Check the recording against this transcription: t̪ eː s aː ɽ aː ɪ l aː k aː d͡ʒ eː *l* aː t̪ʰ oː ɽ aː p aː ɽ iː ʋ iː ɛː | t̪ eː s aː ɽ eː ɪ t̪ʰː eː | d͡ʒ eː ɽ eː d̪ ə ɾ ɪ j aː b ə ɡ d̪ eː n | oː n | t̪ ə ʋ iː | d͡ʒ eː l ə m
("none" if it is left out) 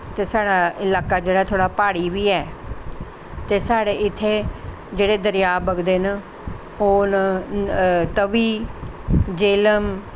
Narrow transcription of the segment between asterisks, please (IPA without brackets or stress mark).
ɽ